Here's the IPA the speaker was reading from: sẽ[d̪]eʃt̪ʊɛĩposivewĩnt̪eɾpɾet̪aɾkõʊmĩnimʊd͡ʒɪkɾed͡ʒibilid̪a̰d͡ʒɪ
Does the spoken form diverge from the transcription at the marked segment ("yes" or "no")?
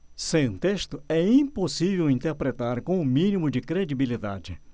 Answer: yes